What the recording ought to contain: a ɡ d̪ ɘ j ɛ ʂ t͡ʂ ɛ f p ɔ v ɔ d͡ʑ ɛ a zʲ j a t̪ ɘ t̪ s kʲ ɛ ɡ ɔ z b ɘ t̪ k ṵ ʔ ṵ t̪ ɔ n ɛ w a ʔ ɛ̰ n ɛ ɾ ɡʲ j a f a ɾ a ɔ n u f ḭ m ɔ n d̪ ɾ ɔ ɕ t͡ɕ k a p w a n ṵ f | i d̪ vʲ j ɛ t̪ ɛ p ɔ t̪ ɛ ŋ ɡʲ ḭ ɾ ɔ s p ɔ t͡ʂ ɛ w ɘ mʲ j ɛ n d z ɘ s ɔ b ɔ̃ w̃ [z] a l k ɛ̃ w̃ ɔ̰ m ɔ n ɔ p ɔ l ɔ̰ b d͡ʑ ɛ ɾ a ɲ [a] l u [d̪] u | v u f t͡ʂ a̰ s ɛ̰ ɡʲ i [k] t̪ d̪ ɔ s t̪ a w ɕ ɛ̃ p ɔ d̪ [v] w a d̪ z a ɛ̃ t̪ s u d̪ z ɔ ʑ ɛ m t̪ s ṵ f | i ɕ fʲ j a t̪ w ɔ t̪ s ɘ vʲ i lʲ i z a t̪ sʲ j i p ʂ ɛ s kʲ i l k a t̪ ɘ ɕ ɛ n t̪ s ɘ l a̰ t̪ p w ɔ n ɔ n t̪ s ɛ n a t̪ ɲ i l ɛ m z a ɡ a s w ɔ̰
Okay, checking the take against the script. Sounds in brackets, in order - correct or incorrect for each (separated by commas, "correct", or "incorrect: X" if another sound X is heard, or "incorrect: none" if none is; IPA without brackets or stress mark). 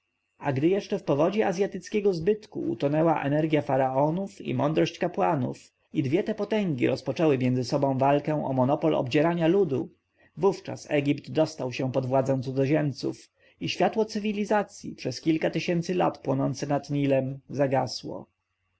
incorrect: v, correct, correct, incorrect: p, correct